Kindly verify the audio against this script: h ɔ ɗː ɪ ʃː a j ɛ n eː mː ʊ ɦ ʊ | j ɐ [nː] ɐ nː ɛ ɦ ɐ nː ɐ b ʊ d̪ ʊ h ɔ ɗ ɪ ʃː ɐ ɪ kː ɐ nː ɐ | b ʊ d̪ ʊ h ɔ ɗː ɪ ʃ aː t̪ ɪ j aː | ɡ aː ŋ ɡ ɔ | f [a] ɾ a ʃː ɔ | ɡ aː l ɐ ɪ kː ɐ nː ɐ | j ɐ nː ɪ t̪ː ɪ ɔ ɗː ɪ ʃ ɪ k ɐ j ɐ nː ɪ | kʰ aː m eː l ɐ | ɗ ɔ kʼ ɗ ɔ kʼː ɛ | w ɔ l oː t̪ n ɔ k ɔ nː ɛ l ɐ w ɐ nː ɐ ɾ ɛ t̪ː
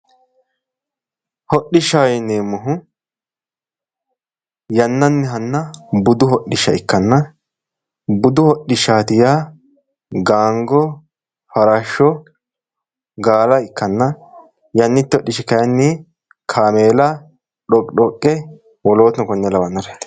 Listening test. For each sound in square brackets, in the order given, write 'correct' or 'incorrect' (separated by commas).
correct, incorrect